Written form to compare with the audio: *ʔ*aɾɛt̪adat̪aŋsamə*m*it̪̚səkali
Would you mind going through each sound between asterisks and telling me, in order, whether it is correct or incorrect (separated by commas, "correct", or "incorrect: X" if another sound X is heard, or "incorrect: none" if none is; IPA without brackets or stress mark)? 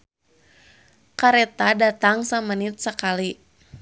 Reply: incorrect: k, incorrect: n